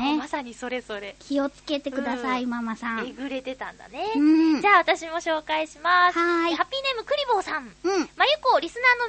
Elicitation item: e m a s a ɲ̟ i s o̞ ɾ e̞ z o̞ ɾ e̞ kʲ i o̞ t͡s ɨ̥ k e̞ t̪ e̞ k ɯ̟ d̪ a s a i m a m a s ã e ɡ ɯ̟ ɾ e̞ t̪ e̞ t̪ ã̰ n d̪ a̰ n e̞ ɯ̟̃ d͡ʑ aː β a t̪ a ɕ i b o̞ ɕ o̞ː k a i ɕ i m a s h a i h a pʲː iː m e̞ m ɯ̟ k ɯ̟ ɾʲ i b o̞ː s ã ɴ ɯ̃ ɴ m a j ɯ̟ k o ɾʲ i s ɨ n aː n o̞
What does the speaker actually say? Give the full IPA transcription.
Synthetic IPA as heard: e m a s a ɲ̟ i s o̞ ɾ e̞ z o̞ ɾ e̞ kʲ i o̞ t͡s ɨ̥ k e̞ t̪ e̞ k ɯ̟ d̪ a s a i m a m a s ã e ɡ ɯ̟ ɾ e̞ t̪ e̞ t̪ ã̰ n d̪ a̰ n e̞ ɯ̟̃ d͡ʑ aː β a t̪ a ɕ i m o̞ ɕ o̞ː k a i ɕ i m a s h a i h a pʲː iː n e̞ m ɯ̟ k ɯ̟ ɾʲ i b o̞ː s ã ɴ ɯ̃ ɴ m a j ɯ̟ k o ɾʲ i s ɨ n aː n o̞